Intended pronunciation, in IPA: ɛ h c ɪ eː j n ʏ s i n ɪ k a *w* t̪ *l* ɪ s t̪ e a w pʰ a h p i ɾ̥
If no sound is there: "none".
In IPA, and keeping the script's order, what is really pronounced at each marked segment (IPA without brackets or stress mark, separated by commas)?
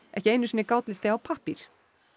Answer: w, l